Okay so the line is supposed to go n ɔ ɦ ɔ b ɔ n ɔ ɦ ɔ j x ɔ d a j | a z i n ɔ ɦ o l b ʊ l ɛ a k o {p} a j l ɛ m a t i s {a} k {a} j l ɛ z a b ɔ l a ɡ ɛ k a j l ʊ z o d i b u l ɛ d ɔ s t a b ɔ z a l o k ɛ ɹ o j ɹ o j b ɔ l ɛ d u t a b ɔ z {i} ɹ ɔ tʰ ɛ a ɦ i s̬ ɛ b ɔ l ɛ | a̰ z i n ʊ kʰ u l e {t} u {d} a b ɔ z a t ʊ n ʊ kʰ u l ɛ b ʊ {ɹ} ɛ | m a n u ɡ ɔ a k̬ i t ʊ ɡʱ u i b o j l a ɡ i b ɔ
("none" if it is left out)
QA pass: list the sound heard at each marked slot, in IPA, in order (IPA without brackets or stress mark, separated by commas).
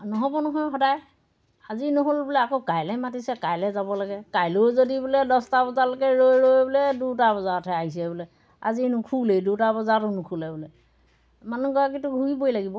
k, ɛ, a, a, d, t, l